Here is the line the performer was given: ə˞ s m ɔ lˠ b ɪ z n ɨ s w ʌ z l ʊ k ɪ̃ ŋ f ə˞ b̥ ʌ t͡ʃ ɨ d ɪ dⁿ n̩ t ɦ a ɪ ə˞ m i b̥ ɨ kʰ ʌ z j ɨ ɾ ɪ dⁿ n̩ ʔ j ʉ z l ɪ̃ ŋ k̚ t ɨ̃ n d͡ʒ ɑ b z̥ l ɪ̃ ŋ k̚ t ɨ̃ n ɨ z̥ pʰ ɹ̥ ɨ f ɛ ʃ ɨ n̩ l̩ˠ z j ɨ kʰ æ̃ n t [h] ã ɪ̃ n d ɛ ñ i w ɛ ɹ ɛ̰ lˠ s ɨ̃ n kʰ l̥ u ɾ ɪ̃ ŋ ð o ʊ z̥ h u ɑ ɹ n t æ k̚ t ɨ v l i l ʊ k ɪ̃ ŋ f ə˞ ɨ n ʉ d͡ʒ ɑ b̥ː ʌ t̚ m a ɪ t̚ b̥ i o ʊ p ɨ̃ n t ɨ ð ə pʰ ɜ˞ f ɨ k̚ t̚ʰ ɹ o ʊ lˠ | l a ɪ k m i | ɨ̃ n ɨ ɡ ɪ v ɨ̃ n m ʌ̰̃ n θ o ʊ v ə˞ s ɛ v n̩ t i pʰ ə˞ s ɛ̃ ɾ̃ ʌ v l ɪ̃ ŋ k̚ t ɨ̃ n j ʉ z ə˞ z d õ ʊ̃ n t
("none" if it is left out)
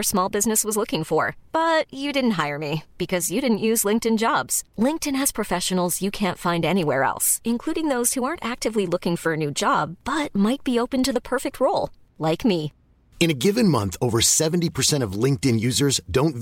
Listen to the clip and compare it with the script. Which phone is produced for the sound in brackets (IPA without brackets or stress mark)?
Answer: f